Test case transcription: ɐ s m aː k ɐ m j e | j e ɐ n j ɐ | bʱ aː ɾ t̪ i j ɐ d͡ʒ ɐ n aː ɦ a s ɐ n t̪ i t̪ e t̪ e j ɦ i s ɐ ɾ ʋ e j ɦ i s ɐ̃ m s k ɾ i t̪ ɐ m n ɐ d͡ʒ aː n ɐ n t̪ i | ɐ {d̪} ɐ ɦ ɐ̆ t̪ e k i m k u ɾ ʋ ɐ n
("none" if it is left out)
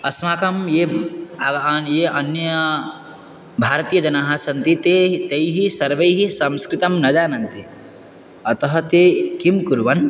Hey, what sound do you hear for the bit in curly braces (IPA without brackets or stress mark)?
t̪